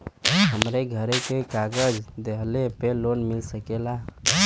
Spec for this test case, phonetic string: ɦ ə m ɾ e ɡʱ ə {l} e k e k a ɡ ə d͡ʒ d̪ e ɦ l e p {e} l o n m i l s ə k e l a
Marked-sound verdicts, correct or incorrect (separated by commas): incorrect, correct